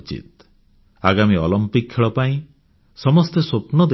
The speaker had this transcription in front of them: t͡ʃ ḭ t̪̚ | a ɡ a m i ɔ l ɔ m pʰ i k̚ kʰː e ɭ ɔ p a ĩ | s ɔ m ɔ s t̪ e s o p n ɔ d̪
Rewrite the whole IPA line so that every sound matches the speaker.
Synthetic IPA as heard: t͡ʃ ḭ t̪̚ | a ɡ a m i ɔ l ɔ m p i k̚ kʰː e ɭ ɔ p a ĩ | s ɔ m ɔ s t̪ e s o p n ɔ d̪